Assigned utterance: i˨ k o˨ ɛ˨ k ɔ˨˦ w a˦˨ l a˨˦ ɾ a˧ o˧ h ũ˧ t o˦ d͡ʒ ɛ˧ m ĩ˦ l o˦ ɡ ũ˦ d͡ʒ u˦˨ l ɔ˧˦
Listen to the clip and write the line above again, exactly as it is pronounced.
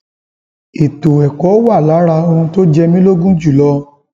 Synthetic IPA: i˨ t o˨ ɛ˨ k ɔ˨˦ w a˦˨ l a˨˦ ɾ a˧ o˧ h ũ˧ t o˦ d͡ʒ ɛ˧ m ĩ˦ l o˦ ɡ ũ˦ d͡ʒ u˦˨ l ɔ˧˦

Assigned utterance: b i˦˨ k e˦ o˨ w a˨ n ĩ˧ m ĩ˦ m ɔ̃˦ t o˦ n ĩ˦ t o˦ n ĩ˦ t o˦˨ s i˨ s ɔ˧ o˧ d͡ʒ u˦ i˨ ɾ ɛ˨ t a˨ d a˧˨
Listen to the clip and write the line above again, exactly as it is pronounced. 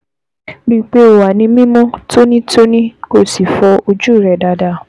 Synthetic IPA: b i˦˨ k͡p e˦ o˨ w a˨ n ĩ˧ m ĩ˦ m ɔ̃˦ t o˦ n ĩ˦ t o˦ n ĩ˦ k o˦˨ s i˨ f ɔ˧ o˧ d͡ʒ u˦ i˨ ɾ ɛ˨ d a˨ d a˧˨

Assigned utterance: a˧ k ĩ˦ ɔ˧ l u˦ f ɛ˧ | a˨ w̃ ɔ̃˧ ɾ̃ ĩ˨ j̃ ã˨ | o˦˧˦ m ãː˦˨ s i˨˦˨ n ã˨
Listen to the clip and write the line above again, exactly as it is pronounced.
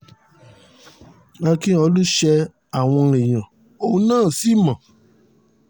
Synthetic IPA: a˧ k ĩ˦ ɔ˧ l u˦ ʃ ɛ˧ | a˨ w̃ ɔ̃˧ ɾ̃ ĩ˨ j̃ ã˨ | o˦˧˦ n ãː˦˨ s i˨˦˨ m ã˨

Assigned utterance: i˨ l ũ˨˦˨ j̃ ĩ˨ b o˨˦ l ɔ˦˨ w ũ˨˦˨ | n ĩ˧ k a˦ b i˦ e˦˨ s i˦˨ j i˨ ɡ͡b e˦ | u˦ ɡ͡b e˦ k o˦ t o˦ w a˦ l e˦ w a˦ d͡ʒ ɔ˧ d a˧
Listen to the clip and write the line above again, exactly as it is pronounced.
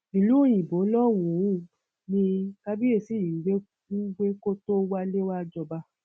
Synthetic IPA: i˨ l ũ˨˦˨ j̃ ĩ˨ b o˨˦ l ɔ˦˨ w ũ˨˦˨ | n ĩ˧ k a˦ b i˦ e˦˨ s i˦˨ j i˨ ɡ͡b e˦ | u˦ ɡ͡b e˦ k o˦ t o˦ w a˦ l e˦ w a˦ d͡ʒ ɔ˧ b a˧

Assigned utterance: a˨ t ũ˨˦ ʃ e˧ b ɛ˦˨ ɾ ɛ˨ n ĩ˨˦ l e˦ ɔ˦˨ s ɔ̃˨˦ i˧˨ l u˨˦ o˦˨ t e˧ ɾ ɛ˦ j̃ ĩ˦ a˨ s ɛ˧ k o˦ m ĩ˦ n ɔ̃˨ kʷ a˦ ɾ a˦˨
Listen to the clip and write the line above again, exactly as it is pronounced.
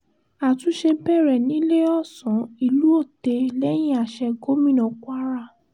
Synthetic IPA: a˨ t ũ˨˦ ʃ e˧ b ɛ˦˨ ɾ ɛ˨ n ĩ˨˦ l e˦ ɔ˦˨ s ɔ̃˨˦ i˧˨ l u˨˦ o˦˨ t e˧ l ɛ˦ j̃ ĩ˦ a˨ ʃ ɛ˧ ɡ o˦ m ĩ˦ n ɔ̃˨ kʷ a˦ ɾ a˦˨

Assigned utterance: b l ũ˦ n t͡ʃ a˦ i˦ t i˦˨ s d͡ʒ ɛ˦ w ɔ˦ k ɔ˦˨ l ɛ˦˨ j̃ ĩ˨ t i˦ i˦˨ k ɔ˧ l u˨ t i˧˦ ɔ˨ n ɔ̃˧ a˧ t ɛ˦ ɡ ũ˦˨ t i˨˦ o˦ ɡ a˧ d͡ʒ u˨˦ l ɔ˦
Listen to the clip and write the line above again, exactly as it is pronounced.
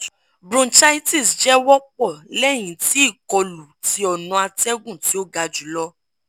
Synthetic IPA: b ɾ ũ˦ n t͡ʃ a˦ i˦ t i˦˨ s d͡ʒ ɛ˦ w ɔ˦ k͡p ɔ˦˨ l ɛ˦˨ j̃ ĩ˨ t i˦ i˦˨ k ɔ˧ l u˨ t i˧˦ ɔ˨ n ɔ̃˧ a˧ t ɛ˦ ɡ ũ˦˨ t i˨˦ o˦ ɡ a˧ d͡ʒ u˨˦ l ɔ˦

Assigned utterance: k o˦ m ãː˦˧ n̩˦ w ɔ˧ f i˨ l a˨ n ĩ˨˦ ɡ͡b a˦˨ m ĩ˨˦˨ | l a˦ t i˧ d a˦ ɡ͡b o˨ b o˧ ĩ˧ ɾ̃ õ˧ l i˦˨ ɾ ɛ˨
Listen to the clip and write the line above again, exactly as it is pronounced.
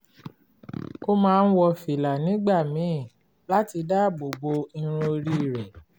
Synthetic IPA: k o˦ m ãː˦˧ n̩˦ w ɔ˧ f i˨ l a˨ n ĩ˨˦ ɡ͡b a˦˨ m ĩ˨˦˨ | l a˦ t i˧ d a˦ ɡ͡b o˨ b o˧ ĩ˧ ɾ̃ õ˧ ɾ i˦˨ ɾ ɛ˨

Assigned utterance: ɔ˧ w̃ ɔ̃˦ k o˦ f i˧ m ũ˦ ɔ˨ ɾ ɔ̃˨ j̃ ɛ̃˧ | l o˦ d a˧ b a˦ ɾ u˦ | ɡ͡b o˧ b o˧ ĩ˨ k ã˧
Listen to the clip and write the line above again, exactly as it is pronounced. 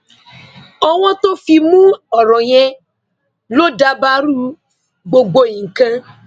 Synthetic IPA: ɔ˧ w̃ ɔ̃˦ t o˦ f i˧ m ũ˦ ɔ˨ ɾ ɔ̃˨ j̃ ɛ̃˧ | l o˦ d a˧ b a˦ ɾ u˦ | ɡ͡b o˧ ɡ͡b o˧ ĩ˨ k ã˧

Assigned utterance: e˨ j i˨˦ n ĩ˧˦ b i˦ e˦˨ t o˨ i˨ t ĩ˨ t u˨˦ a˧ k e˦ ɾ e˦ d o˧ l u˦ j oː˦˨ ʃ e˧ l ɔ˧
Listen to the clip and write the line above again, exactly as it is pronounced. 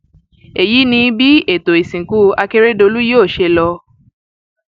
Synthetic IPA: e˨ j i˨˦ n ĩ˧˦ b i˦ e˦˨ t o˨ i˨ s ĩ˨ k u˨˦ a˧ k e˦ ɾ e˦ d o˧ l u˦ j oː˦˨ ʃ e˧ l ɔ˧

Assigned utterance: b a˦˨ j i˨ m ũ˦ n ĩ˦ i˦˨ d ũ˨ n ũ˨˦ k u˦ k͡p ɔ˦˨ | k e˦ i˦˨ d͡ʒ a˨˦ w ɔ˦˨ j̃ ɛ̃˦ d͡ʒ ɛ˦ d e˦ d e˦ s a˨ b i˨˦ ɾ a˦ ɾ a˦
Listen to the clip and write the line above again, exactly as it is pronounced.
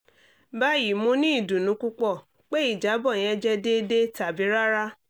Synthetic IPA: b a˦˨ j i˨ m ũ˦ n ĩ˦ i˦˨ d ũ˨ n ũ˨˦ k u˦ k͡p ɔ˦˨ | k͡p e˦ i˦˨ d͡ʒ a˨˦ b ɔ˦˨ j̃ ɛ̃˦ d͡ʒ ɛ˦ d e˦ d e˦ t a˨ b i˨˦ ɾ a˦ ɾ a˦

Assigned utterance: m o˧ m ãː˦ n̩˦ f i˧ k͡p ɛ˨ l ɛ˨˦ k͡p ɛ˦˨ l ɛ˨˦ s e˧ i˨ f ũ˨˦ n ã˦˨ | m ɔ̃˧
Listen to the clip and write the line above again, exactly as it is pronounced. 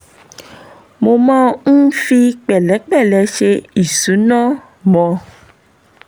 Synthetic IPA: m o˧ m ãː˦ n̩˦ f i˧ k͡p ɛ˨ l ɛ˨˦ k͡p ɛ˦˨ l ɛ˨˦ ʃ e˧ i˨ s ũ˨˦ n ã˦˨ | m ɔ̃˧

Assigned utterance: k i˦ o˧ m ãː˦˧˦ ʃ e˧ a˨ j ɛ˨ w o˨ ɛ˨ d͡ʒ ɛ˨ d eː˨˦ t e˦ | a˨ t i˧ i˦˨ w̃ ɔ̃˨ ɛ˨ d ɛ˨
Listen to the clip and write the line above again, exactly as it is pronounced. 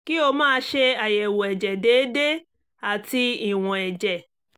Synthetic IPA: k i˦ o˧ m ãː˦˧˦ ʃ e˧ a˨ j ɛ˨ w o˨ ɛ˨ d͡ʒ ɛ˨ d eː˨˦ d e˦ | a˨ t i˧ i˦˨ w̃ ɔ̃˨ ɛ˨ d͡ʒ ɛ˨

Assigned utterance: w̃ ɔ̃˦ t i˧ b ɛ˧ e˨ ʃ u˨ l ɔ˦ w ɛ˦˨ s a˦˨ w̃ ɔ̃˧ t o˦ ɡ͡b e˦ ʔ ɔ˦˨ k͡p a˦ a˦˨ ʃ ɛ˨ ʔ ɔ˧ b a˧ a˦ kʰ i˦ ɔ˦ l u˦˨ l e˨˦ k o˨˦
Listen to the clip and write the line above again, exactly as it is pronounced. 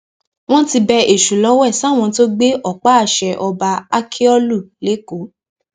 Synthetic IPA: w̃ ɔ̃˦ t i˧ b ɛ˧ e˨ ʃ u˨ l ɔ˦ w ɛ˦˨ s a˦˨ w̃ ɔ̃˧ t o˦ ɡ͡b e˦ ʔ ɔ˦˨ k͡p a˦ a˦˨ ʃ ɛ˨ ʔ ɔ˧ b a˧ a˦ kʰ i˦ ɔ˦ l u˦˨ l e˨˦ k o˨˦

